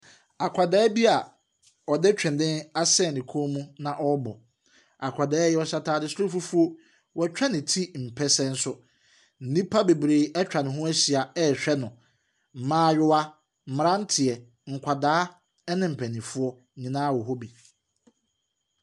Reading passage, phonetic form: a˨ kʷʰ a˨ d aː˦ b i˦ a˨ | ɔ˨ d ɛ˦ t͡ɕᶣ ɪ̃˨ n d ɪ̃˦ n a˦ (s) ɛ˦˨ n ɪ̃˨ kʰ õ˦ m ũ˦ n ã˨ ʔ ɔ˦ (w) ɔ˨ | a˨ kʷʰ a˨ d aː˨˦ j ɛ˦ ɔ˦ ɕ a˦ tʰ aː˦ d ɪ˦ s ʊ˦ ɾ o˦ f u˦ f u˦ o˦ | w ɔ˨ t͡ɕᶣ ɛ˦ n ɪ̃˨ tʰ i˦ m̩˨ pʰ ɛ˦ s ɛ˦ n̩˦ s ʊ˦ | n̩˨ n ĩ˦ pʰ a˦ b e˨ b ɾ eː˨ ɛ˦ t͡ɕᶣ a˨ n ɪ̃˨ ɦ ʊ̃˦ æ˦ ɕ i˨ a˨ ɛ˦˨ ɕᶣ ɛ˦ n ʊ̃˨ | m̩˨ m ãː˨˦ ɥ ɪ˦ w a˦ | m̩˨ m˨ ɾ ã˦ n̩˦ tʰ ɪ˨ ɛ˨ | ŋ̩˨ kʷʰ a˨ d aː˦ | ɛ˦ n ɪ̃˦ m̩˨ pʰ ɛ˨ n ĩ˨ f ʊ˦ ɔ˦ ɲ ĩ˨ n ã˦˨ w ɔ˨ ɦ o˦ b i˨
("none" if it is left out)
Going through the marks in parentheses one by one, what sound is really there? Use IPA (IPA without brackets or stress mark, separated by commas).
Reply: s, b